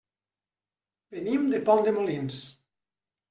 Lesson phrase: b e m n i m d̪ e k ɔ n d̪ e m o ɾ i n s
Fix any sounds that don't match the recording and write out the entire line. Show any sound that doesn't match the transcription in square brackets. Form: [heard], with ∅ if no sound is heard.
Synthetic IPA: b e [∅] n i m d̪ e [p] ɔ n d̪ e m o [l] i n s